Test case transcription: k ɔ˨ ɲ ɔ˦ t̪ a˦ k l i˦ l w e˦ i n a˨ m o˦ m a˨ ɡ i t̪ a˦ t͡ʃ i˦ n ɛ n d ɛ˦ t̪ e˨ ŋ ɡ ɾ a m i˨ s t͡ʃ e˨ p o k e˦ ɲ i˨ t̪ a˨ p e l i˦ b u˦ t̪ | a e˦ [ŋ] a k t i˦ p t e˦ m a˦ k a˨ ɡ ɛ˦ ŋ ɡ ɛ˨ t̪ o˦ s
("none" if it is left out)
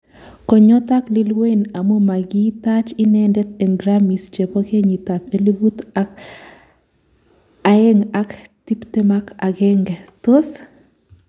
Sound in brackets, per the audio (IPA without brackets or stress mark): ŋ